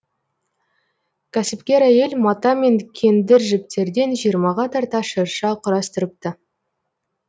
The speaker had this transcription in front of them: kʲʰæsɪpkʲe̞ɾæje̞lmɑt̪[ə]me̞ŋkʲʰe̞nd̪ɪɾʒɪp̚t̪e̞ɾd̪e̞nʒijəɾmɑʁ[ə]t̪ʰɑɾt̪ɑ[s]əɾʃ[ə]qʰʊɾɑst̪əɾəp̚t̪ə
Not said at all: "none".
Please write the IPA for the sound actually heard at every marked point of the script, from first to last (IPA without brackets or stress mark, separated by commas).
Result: ɑ, ɑ, ʃ, ɑ